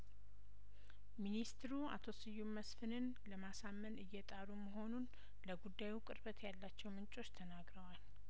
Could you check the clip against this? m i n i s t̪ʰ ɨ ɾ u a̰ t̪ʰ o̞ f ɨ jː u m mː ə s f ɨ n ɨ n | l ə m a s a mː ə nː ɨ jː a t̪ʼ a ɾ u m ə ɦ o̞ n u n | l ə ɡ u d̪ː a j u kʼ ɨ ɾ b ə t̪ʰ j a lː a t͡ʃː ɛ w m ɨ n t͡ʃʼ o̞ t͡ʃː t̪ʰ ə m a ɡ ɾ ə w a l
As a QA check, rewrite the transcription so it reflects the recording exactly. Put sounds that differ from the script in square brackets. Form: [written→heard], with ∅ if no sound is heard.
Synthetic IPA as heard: m i n i s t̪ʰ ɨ ɾ u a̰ t̪ʰ o̞ [f→s] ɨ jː u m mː ə s f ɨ n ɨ n | l ə m a s a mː ə [nː→n] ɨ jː [a→ɛ] t̪ʼ a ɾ u m ə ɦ o̞ n u n | l ə ɡ u d̪ː a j u kʼ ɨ ɾ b ə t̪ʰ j a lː a t͡ʃː ɛ w m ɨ n t͡ʃʼ o̞ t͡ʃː t̪ʰ ə [m→n] a ɡ ɾ ə w a l